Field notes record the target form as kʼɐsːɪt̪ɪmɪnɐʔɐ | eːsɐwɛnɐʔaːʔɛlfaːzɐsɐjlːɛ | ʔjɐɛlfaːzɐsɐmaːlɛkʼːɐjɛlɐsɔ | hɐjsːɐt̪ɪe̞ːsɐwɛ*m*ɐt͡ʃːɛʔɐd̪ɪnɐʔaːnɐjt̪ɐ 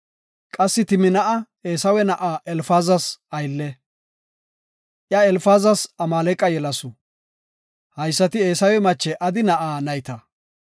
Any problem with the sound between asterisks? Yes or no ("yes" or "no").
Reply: no